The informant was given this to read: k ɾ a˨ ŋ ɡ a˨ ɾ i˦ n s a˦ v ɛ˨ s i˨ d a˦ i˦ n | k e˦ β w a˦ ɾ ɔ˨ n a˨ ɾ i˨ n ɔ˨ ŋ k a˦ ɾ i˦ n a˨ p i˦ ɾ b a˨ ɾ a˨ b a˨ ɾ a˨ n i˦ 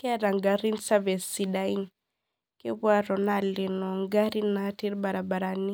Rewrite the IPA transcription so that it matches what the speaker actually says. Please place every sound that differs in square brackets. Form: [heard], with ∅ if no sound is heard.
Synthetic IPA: k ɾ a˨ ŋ ɡ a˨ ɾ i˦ n s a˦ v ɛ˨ s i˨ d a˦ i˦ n | k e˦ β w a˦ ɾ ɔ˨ n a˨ [l] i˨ n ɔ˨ ŋ [ɡ] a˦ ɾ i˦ n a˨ [t] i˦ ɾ b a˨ ɾ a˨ b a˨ ɾ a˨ n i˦